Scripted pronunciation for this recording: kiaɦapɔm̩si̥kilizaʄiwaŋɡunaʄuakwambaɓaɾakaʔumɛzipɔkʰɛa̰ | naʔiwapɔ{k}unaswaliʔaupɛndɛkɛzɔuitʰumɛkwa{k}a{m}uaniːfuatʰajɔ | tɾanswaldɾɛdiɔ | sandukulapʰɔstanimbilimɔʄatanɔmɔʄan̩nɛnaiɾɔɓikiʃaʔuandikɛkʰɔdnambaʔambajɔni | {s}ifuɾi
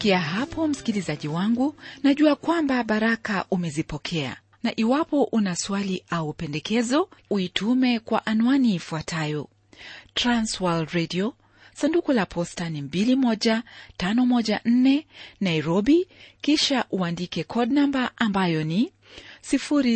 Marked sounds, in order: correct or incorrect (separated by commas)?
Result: incorrect, incorrect, incorrect, correct